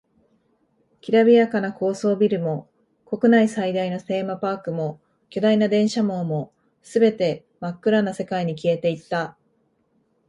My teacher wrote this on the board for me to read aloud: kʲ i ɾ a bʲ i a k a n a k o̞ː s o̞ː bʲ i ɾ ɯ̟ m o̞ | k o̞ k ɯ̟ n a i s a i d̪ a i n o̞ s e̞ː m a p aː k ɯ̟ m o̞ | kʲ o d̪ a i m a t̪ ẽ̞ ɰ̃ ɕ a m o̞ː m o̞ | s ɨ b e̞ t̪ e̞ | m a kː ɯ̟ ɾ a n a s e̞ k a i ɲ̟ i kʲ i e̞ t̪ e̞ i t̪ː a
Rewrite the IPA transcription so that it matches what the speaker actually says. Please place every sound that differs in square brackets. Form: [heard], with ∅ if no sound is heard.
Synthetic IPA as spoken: kʲ i ɾ a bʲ i a k a n a k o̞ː s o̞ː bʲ i ɾ ɯ̟ m o̞ | k o̞ k ɯ̟ n a i s a i d̪ a i n o̞ s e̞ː m a p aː k ɯ̟ m o̞ | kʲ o d̪ a i [n] a [d̪] ẽ̞ ɰ̃ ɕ a m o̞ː m o̞ | s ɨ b e̞ t̪ e̞ | m a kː ɯ̟ ɾ a n a s e̞ k a i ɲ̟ i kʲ i e̞ t̪ e̞ i t̪ː a